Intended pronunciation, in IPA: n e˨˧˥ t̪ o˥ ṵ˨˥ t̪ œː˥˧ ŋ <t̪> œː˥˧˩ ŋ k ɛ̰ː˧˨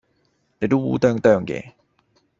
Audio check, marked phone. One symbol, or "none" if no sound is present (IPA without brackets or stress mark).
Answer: t̪